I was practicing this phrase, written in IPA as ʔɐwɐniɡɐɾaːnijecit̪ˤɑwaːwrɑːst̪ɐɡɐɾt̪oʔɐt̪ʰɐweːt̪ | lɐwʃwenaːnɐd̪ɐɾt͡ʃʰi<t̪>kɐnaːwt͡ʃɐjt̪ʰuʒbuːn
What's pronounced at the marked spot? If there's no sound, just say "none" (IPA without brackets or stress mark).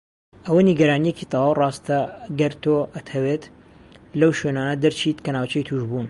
t̪